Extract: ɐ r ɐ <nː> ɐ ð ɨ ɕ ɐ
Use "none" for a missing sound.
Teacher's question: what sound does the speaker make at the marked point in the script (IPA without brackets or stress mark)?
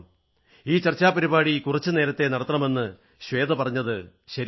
ɲː